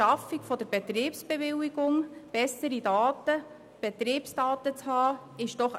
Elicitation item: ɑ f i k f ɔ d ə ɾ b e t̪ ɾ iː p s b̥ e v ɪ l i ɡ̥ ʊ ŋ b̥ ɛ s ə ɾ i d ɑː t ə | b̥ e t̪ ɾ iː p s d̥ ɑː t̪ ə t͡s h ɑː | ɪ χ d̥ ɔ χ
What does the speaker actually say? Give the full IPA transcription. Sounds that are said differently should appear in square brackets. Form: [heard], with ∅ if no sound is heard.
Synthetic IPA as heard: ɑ f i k f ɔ d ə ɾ b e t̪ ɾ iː p s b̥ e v ɪ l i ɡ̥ ʊ ŋ b̥ ɛ s ə ɾ i d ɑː t ə | b̥ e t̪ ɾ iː p s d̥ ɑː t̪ ə t͡s h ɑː | ɪ [ʃ] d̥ ɔ χ